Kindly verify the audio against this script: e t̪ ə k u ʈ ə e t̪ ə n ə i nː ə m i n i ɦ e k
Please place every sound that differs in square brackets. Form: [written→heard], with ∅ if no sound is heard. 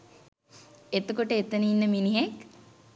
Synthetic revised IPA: e t̪ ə k [u→o] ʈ ə e t̪ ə n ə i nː ə m i n i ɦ e k